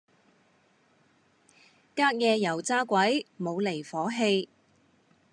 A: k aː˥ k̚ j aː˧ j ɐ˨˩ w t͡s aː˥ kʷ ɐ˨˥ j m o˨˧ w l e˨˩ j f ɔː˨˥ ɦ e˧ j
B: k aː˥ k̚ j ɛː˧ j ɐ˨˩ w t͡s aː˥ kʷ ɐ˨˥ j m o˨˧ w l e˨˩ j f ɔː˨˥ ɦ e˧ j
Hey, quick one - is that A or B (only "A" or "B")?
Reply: B